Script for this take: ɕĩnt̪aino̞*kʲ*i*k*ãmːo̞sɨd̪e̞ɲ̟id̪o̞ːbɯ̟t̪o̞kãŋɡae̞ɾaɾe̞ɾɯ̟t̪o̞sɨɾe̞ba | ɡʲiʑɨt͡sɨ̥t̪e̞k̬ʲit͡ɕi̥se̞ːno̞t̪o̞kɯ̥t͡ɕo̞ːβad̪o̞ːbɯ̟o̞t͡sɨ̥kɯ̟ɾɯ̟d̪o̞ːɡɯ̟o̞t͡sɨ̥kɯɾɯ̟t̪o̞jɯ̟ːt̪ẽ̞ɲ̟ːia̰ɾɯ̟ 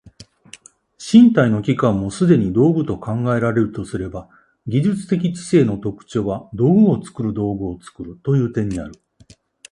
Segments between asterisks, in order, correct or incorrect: correct, correct

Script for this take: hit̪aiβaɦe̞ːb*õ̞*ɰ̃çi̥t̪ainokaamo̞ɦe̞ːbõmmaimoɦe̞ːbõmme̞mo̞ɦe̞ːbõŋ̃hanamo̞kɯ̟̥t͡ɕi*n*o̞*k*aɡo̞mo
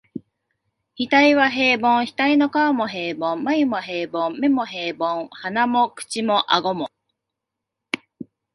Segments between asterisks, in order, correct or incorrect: correct, incorrect, incorrect

